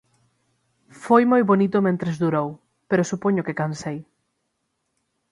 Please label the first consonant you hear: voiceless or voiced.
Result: voiceless